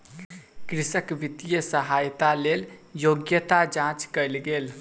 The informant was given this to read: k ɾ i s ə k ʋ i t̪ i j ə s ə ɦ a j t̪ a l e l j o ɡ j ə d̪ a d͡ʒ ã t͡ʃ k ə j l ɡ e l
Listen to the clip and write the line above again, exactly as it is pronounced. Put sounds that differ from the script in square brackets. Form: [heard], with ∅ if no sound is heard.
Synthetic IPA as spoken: k ɾ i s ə k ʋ i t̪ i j ə s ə ɦ a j t̪ a l e l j o ɡ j ə [t̪] a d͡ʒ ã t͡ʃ k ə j l ɡ e l